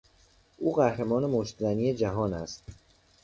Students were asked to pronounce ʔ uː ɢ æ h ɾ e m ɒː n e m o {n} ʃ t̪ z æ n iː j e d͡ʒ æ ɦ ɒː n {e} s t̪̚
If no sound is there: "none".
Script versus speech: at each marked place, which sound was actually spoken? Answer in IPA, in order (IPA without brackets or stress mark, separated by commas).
none, æ